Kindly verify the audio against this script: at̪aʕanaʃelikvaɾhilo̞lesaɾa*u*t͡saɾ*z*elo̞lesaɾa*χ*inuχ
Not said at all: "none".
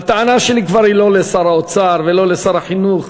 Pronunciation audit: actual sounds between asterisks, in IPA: o, v, ħ

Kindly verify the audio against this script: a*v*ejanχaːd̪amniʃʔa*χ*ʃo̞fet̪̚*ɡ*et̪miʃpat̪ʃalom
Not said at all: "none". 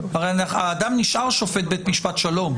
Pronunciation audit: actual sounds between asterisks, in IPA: ʁ, ʁ, b

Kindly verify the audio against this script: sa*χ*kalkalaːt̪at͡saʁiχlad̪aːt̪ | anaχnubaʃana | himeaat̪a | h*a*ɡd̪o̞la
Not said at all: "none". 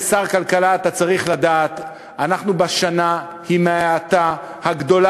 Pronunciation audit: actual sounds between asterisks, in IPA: ʁ, a

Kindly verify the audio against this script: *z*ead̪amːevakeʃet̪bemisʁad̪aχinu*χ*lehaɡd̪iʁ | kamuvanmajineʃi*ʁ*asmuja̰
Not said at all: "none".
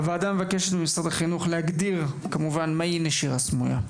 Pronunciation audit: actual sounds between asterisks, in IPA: v, χ, ʁ

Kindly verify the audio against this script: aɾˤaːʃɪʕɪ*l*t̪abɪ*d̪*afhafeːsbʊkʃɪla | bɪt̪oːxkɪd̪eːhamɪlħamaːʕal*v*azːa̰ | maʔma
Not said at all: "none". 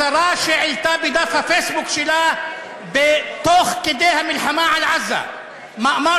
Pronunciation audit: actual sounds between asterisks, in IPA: l, d̪, ʕ

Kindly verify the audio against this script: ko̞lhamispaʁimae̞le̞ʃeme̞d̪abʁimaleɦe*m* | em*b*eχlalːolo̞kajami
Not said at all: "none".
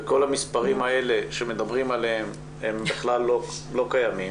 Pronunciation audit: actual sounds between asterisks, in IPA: m, b

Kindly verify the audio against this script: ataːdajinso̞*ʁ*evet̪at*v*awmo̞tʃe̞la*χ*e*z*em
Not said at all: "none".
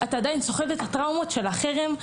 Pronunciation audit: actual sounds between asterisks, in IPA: χ, ʁ, χ, ʁ

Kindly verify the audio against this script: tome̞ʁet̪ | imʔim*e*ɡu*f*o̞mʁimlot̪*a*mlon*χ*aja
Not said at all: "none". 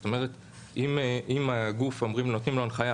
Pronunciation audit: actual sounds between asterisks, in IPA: a, f, i, χ

